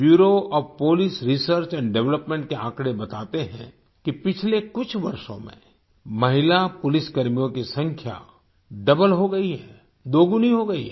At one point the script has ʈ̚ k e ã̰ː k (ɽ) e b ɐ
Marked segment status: correct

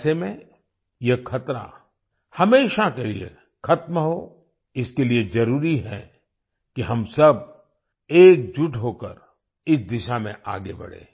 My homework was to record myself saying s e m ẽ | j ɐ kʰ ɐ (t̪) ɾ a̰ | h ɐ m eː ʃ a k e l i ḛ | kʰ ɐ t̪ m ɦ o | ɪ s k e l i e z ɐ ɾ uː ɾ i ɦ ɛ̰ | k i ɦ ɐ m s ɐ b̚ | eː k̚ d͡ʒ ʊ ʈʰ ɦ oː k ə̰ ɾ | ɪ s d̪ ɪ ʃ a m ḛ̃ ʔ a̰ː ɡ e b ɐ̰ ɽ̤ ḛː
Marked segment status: correct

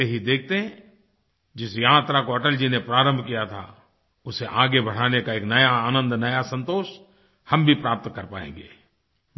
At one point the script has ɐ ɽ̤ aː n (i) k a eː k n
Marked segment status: incorrect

